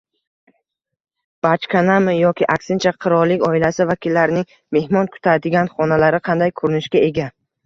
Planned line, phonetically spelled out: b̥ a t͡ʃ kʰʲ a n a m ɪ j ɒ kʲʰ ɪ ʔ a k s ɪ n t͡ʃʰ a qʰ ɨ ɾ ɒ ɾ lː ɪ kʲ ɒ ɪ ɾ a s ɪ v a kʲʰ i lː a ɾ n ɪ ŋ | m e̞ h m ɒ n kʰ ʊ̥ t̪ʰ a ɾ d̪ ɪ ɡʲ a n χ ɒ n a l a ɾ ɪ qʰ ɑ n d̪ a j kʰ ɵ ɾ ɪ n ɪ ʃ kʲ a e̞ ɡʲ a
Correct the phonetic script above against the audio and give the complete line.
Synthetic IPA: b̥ a t͡ʃ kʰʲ a n a m ɪ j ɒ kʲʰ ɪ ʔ a k s ɪ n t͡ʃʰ a qʰ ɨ ɾ ɒ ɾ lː ɪ kʲ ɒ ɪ l a s ɪ v a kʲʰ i lː a ɾ n ɪ ŋ | m e̞ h m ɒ n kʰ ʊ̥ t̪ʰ a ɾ d̪ ɪ ɡʲ a n χ ɒ n a l a ɾ ɪ qʰ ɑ n d̪ a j kʰ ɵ ɾ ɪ n ɪ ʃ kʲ a e̞ ɡʲ a